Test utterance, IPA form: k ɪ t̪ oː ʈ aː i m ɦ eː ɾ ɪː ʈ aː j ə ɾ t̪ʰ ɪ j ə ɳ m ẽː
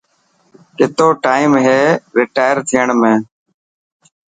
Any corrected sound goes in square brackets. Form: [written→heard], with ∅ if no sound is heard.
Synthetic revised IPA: k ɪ t̪ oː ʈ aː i m ɦ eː ɾ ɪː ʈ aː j ə ɾ t̪ʰ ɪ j ə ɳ m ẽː